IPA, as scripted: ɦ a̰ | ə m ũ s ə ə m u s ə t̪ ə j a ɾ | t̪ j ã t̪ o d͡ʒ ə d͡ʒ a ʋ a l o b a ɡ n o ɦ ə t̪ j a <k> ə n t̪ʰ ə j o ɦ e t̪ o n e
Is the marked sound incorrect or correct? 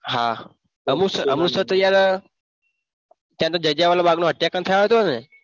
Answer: correct